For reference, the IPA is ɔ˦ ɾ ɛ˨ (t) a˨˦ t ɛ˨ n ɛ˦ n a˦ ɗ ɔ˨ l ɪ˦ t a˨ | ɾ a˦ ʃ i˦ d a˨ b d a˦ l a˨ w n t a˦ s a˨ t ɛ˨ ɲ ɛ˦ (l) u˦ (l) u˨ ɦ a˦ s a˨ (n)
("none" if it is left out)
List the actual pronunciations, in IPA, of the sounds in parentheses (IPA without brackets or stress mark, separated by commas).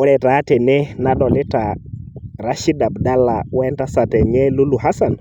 t, l, l, n